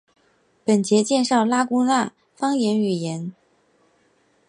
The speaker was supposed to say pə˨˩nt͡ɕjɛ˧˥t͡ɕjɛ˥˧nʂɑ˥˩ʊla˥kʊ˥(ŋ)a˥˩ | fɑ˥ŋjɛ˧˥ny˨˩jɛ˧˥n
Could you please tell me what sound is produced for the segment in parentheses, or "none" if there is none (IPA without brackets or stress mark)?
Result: n